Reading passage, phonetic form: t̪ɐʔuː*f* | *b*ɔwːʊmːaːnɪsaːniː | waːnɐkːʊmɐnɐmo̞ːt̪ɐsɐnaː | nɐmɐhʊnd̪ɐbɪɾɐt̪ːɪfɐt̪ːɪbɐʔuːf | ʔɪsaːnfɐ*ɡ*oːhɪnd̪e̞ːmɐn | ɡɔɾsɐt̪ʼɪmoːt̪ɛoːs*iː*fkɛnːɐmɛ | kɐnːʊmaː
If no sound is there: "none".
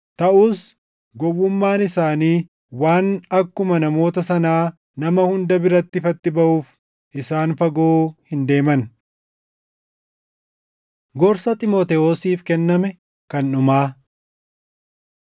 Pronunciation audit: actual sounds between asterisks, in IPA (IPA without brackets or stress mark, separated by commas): s, ɡ, ɡ, iː